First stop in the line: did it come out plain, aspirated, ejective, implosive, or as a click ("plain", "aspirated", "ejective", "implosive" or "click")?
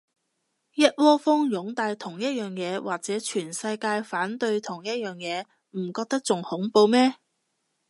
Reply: plain